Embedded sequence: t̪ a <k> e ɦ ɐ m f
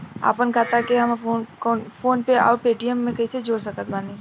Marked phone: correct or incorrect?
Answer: correct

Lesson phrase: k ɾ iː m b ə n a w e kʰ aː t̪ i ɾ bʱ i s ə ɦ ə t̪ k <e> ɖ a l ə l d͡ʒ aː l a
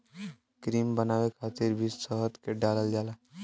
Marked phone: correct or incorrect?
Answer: correct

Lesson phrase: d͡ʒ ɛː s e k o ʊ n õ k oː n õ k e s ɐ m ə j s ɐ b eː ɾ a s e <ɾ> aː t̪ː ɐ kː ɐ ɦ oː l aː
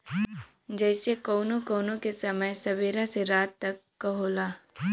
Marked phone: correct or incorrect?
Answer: correct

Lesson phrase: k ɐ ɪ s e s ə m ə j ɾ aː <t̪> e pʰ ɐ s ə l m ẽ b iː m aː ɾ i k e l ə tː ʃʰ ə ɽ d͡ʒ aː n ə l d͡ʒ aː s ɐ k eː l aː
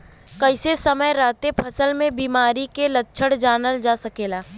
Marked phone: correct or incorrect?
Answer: correct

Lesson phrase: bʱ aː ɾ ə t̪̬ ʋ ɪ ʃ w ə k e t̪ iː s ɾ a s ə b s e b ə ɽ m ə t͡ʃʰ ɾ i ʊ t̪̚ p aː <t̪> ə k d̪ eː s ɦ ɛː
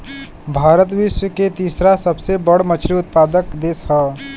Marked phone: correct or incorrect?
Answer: incorrect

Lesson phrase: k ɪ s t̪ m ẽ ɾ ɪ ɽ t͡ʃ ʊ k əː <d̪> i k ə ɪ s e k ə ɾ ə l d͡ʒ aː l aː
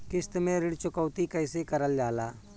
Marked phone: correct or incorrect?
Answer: incorrect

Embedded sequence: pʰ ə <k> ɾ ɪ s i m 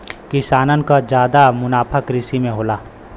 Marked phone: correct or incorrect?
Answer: correct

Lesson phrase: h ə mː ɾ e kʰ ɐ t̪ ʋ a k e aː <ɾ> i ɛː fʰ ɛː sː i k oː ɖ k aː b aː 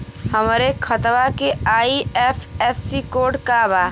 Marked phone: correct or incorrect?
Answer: incorrect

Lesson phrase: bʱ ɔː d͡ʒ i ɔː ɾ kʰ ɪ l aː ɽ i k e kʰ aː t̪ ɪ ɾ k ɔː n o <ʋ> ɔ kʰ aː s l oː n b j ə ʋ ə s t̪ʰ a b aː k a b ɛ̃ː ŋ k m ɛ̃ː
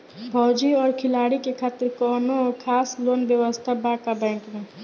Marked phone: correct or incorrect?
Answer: incorrect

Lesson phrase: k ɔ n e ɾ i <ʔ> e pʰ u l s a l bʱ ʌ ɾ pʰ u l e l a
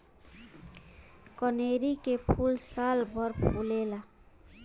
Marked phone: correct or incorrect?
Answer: incorrect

